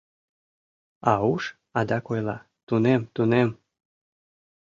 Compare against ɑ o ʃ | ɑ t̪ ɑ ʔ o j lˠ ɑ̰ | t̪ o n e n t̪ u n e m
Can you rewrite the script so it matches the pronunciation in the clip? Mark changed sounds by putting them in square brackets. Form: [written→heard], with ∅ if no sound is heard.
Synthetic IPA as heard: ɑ [o→u] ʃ | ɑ [t̪→d̪] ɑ [ʔ→k] o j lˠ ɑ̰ | t̪ [o→u] n e [n→m] t̪ u n e m